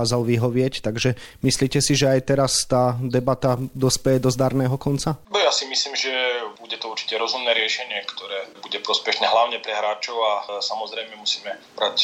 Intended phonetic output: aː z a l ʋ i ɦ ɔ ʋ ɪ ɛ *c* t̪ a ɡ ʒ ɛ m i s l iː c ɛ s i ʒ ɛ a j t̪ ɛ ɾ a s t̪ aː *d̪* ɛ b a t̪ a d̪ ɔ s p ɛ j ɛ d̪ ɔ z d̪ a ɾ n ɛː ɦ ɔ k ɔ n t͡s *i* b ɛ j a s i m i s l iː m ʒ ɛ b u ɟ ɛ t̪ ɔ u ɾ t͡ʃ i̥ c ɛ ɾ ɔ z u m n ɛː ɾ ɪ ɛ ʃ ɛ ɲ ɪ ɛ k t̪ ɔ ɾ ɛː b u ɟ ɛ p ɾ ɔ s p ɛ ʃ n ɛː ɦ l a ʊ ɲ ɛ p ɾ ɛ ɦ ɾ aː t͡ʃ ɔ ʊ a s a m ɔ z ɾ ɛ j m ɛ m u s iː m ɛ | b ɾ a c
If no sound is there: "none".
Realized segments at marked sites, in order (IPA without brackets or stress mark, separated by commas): c, d̪, a